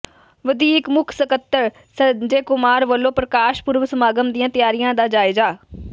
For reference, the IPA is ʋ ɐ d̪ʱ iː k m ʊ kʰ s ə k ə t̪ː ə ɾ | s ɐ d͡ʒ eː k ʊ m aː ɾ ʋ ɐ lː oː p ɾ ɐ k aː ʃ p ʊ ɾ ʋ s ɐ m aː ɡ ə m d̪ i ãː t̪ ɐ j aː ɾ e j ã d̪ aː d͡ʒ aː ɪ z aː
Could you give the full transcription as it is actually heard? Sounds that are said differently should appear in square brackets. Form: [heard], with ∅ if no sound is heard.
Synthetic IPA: ʋ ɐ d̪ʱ iː k m ʊ kʰ s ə k ə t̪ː ə ɾ | s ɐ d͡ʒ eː k ʊ m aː ɾ ʋ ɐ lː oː p ɾ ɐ k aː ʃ p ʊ ɾ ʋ s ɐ m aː ɡ ə m d̪ i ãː t̪ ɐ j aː ɾ [i] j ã d̪ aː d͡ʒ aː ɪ z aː